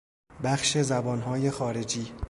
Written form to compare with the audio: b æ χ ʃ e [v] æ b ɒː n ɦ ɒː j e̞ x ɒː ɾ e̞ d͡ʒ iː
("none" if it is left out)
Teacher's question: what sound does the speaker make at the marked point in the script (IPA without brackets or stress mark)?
z